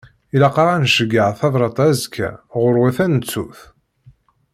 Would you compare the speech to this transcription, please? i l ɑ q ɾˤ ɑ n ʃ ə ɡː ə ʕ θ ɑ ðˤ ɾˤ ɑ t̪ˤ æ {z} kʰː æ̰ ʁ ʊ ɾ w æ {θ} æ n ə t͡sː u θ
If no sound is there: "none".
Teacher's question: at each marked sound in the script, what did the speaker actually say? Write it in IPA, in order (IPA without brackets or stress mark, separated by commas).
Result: z, θ